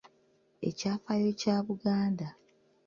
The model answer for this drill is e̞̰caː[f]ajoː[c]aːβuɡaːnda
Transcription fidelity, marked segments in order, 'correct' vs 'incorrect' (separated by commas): correct, correct